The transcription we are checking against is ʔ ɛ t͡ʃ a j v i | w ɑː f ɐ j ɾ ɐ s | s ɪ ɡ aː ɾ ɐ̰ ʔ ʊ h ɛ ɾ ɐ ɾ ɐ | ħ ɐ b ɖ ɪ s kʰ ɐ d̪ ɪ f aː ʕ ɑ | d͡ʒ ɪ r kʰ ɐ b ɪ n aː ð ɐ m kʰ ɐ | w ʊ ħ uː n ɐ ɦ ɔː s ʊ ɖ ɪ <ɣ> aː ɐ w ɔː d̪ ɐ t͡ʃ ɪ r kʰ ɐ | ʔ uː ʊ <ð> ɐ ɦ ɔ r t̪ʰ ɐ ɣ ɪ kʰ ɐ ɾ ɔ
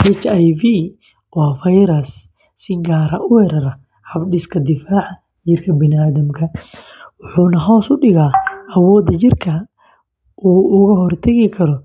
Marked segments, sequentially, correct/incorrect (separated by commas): correct, incorrect